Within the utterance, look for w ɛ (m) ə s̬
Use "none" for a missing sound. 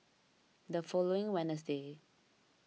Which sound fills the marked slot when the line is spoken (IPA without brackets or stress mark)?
n